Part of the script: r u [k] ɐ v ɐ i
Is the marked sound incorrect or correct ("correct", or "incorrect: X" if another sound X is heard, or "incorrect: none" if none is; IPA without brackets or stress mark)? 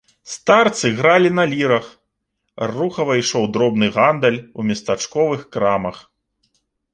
incorrect: x